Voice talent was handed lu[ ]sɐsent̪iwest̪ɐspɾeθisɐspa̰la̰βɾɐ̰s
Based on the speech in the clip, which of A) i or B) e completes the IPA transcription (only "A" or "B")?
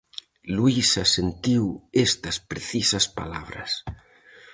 A